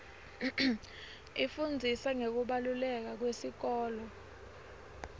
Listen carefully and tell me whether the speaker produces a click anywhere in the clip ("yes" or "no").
no